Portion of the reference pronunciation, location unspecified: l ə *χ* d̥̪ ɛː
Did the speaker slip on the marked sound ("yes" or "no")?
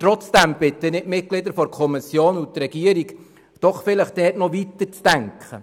no